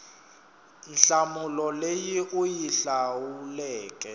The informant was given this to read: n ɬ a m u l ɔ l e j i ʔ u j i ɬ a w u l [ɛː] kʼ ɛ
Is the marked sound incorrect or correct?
correct